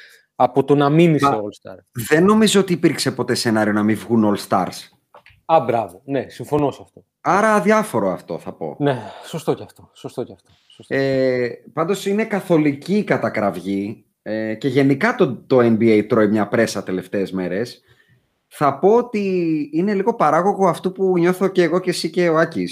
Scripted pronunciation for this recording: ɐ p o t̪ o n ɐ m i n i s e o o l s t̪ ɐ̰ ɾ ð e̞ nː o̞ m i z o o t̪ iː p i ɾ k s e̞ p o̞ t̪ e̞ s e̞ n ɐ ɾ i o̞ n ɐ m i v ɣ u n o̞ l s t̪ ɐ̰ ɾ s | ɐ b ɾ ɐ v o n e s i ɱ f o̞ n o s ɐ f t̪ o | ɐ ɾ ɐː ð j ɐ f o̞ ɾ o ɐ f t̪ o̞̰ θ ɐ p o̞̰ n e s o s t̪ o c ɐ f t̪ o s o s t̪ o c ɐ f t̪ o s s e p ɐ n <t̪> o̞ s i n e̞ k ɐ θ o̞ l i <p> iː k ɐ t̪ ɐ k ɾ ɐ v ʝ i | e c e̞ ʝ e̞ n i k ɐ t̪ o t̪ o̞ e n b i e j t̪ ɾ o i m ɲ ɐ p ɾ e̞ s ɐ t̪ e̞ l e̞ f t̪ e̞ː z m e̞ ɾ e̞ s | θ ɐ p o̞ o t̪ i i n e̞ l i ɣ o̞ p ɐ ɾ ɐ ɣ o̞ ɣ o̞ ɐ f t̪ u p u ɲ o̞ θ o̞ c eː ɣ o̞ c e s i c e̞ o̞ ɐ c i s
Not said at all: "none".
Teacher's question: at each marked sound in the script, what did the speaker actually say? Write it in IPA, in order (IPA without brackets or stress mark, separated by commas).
d̪, c